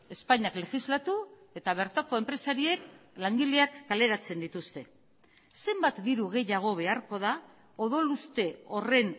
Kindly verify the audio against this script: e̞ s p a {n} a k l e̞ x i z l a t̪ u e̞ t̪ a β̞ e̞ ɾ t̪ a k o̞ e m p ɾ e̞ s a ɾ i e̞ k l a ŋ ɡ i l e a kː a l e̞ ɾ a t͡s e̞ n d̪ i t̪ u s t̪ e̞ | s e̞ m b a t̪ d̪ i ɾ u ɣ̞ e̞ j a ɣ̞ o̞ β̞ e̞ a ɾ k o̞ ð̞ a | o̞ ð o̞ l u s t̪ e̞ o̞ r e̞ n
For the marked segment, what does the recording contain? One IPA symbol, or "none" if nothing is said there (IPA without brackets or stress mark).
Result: ɲ